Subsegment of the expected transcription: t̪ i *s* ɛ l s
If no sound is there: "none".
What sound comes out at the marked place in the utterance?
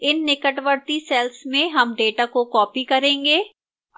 s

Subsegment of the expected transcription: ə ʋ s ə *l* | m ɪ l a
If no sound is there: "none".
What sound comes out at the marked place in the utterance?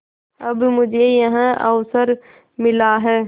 ɾ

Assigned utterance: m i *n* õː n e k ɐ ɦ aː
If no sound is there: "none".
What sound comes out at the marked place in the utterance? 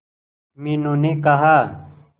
n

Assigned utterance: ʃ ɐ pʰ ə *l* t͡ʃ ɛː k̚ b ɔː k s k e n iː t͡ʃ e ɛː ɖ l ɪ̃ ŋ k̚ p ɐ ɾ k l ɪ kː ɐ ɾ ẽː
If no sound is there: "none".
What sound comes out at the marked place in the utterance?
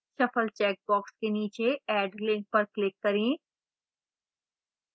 l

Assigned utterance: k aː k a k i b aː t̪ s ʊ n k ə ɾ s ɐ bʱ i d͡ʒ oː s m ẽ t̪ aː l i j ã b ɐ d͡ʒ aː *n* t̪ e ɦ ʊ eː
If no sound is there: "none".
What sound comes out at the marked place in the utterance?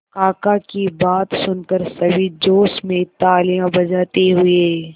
none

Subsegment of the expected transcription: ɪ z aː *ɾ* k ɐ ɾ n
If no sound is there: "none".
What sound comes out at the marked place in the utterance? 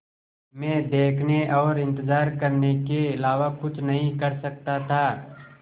ɾ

